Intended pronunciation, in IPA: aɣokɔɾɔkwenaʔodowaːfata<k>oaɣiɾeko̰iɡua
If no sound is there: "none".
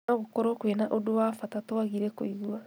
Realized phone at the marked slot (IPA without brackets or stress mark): t